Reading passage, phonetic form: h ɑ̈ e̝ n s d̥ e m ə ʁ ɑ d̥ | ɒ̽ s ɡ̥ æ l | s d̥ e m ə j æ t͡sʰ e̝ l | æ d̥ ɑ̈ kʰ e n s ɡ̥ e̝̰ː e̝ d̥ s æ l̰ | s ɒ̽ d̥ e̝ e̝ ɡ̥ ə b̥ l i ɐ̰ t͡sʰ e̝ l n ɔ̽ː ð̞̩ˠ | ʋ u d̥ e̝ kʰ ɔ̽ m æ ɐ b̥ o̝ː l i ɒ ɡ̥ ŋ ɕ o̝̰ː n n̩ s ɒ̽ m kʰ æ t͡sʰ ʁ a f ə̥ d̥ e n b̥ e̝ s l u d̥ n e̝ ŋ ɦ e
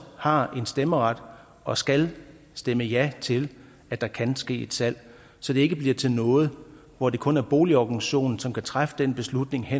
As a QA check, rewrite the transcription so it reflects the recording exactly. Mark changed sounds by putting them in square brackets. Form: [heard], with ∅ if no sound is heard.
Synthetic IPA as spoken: h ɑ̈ e̝ n s d̥ e m ə ʁ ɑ d̥ | ɒ̽ s ɡ̥ æ l | s d̥ e m ə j æ t͡sʰ e̝ l | æ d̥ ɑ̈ kʰ [æ] n s ɡ̥ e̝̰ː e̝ d̥ s æ l̰ | s ɒ̽ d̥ e̝ e̝ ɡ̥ ə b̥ l i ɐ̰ t͡sʰ e̝ l n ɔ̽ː ð̞̩ˠ | ʋ [ɒ] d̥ e̝ kʰ ɔ̽ [n] æ ɐ b̥ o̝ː l i ɒ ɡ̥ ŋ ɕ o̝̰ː n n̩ s ɒ̽ m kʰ æ t͡sʰ ʁ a f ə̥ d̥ e n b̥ e̝ s l u d̥ n e̝ ŋ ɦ e